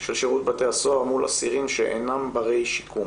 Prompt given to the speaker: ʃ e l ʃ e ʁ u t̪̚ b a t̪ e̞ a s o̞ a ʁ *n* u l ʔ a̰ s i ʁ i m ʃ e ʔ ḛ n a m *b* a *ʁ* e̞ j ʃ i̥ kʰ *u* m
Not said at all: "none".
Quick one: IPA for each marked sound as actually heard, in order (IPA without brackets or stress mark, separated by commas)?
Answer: m, b, ʁ, u